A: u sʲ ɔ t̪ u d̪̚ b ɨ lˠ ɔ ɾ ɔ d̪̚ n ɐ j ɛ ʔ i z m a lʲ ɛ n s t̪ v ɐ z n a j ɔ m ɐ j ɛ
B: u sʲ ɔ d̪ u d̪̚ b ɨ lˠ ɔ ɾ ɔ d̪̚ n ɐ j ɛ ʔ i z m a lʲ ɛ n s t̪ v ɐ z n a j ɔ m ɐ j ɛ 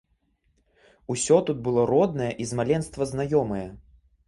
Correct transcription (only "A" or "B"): A